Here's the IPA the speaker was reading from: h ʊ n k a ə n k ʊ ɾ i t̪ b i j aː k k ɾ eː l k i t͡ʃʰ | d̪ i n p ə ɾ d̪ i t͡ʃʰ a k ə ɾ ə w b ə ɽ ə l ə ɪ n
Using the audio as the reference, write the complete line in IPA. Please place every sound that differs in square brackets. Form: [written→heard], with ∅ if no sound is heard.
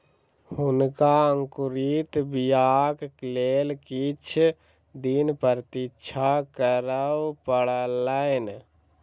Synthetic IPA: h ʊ n k a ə [n→ŋ] k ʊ ɾ i t̪ b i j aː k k [ɾ→l] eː l k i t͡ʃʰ | d̪ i n p ə ɾ [d̪→t̪] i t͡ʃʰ a k ə ɾ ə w [b→p] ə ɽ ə l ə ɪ n

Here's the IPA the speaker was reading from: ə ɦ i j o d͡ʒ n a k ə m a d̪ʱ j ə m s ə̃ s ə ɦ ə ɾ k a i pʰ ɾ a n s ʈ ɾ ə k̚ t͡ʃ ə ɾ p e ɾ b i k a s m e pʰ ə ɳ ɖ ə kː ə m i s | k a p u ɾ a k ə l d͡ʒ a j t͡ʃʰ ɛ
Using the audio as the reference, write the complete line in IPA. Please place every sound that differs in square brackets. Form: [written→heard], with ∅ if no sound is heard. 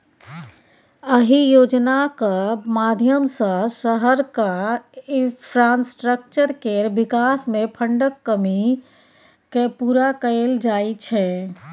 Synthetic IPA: ə ɦ i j o d͡ʒ n a k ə m a d̪ʱ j ə m s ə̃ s ə ɦ ə ɾ k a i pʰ ɾ a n s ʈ ɾ ə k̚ t͡ʃ ə ɾ [p→k] e ɾ b i k a s m e pʰ ə ɳ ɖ ə kː ə m i [s→∅] | k [a→e] p u ɾ a k ə l d͡ʒ a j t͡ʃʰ ɛ

